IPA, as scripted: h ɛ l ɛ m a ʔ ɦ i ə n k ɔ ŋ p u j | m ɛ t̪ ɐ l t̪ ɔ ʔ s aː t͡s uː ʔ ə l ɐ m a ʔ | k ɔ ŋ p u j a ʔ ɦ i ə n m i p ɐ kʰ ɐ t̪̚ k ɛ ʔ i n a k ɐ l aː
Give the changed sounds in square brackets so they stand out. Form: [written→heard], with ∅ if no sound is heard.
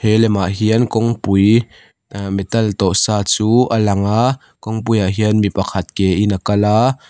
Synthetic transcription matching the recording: h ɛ l ɛ m a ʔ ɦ i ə n k ɔ ŋ p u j | m ɛ t̪ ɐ l t̪ ɔ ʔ s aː t͡s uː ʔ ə l ɐ [m→ŋ] a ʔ | k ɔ ŋ p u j a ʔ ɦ i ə n m i p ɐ kʰ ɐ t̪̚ k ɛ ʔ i n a k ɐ l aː